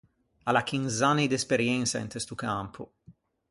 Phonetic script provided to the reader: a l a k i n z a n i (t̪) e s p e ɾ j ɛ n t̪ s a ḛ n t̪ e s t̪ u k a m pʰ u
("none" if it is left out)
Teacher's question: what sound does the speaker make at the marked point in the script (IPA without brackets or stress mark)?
d̪